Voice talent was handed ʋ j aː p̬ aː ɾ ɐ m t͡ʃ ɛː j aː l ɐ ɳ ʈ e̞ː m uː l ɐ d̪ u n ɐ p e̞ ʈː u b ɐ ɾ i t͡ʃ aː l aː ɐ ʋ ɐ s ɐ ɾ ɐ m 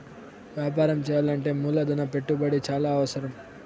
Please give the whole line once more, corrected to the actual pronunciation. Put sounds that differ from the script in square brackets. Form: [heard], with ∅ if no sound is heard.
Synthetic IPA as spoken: ʋ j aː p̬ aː ɾ ɐ m t͡ʃ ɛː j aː l ɐ ɳ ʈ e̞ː m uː l ɐ d̪ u n ɐ p e̞ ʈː u b ɐ [ɽ] i t͡ʃ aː l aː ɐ ʋ ɐ s ɐ ɾ ɐ m